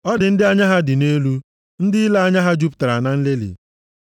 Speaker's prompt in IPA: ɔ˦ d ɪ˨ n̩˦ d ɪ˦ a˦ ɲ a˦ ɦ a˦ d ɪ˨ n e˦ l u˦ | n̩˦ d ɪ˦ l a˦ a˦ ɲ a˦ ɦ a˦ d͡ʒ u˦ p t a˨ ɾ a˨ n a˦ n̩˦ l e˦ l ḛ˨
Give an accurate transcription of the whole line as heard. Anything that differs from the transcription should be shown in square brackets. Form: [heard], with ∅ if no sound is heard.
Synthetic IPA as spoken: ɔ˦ d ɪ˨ n̩˦ d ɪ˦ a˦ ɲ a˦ ɦ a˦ d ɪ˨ n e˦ l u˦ | n̩˦ d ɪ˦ l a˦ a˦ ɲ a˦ ɦ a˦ d͡ʒ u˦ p t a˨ ɾ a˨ n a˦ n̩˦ l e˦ l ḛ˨